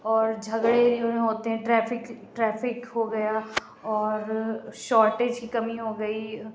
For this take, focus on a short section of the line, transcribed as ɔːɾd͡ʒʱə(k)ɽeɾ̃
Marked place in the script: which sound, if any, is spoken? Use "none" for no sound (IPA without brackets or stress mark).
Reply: ɡ